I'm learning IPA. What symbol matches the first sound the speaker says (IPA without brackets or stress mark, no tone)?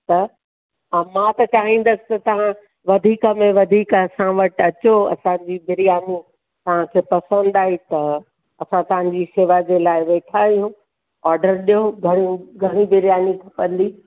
t̪